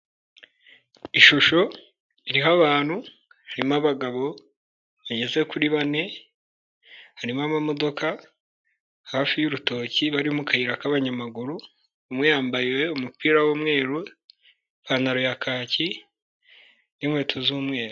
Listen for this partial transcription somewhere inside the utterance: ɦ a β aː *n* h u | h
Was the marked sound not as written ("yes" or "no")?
no